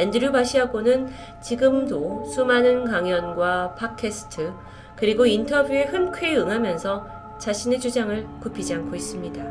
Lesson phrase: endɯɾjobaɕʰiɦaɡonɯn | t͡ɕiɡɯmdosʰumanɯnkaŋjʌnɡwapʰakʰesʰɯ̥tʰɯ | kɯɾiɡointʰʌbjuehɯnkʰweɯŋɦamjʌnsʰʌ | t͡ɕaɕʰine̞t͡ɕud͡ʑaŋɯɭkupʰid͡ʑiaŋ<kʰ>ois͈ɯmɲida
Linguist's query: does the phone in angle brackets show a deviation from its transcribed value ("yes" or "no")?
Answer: no